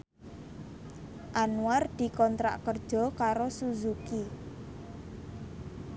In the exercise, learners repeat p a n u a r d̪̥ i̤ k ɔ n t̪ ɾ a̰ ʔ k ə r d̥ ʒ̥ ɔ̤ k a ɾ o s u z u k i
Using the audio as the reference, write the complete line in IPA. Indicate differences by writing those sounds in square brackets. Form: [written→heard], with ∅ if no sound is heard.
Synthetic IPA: [p→ʔ] a n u a r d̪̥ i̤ k ɔ n t̪ ɾ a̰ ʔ k ə r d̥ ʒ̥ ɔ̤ k a ɾ o s u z u k i